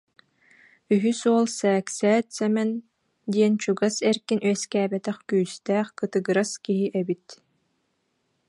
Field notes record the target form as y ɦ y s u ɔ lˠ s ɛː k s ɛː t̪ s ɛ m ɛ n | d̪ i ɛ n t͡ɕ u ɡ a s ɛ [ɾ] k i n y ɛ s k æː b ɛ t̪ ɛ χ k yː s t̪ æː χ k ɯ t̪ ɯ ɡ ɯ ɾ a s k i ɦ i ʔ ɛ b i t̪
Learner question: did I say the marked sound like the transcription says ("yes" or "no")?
yes